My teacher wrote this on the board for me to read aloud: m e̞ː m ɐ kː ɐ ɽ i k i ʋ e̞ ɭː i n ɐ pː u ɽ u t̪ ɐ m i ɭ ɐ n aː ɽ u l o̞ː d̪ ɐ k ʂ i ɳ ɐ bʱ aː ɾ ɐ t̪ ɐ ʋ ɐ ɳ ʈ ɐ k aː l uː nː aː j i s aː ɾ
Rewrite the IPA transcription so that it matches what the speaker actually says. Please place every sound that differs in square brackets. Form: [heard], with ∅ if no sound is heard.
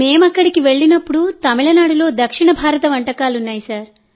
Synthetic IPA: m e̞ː m ɐ kː ɐ ɽ i k i ʋ e̞ ɭː i n ɐ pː u ɽ u t̪ ɐ m i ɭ ɐ n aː ɽ u l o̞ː d̪ ɐ k ʂ i ɳ ɐ bʱ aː ɾ ɐ t̪ ɐ ʋ ɐ ɳ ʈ ɐ k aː l [u] nː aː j i s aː ɾ